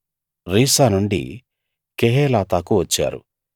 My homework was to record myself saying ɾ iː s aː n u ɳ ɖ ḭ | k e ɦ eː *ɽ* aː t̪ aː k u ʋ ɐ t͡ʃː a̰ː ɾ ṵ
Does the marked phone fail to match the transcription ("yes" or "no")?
yes